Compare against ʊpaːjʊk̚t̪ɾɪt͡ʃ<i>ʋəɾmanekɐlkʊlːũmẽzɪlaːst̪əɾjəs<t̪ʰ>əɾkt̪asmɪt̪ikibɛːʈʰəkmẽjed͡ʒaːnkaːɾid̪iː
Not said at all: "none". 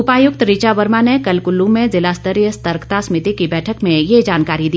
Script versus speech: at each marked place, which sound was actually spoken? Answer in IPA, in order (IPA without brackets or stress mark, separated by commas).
a, t̪